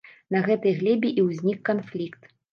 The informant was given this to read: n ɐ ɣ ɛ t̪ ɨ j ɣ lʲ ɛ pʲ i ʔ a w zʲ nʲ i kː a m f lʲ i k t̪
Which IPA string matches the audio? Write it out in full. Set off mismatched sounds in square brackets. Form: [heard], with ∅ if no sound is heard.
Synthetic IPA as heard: n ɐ ɣ ɛ t̪ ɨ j ɣ lʲ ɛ [bʲ] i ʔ [i] w zʲ nʲ i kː a [n] f lʲ i k t̪